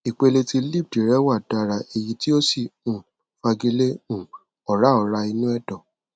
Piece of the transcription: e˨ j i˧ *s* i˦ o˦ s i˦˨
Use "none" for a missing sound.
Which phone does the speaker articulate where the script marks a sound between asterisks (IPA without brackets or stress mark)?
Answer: t